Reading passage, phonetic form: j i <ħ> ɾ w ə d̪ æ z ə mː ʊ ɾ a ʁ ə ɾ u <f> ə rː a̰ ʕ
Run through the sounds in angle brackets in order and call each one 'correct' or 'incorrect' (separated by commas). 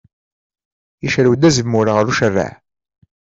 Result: incorrect, incorrect